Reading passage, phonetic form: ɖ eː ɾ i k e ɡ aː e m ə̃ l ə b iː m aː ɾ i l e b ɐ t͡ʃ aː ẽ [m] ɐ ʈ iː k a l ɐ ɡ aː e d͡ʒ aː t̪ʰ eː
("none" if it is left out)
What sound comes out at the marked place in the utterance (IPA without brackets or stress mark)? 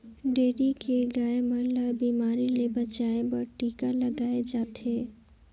b